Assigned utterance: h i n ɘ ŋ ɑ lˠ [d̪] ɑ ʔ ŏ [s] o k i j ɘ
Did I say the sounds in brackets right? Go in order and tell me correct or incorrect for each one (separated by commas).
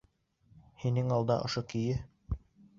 correct, incorrect